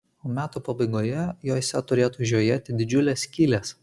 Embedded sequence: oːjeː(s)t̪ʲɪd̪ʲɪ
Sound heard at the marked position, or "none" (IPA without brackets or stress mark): none